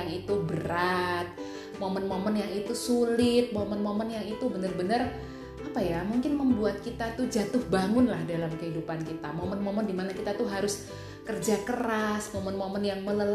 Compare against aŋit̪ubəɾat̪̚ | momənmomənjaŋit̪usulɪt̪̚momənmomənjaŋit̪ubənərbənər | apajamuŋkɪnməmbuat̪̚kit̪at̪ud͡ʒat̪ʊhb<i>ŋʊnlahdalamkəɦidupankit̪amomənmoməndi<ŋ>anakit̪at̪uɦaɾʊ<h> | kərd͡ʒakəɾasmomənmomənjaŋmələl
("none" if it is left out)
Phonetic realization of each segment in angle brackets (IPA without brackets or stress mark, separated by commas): a, m, s